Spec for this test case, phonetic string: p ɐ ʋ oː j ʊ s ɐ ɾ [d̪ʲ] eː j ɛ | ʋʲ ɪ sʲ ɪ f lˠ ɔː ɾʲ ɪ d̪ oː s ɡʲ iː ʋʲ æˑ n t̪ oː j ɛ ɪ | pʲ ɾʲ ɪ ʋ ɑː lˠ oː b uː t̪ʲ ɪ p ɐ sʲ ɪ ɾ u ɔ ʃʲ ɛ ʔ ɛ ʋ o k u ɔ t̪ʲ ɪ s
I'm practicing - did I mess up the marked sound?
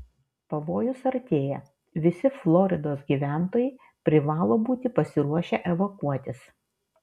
yes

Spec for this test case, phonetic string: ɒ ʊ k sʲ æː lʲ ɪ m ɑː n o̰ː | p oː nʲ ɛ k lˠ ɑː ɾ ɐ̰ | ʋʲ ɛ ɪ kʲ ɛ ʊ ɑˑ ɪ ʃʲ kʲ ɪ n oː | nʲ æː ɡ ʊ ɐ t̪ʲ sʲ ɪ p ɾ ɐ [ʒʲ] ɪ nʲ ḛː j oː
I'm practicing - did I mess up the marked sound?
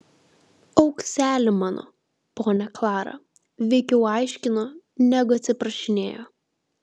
yes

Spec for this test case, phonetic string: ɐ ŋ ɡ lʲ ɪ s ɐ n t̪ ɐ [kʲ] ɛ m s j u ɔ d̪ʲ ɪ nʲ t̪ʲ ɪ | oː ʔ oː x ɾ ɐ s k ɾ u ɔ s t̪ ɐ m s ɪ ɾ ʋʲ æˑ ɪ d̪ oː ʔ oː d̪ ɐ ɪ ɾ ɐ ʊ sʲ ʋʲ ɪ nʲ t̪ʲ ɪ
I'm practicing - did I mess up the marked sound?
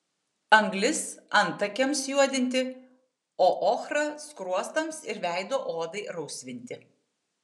no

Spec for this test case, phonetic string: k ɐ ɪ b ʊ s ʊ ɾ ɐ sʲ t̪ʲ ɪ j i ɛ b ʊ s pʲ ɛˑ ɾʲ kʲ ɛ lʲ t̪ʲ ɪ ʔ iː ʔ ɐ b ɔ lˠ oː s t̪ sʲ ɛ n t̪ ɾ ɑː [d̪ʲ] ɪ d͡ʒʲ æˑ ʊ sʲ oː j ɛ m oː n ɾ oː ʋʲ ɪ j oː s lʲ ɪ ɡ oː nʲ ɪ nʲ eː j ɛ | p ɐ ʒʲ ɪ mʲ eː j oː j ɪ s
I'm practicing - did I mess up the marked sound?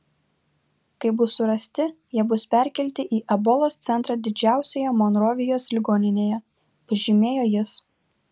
no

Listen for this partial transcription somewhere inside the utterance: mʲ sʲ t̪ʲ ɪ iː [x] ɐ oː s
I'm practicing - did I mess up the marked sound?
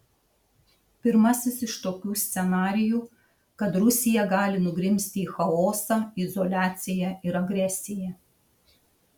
no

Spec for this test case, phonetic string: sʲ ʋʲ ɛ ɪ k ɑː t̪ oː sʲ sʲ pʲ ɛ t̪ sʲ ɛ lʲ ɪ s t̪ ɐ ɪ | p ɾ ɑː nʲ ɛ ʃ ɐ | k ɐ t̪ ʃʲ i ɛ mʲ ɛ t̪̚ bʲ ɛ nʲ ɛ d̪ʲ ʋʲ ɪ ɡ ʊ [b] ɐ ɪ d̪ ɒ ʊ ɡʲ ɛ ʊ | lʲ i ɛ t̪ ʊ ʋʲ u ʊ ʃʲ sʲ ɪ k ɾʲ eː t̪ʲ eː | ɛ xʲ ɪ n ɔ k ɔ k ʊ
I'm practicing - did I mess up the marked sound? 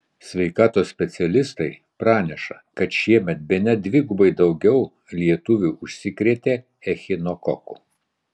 no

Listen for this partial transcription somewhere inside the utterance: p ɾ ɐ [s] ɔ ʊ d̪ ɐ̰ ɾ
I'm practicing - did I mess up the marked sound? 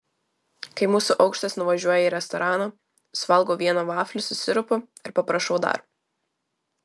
yes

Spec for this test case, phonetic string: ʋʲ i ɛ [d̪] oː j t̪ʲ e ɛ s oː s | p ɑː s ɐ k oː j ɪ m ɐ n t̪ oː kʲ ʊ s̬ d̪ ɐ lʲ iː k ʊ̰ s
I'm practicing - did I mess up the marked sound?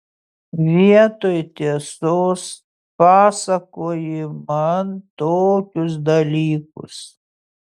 yes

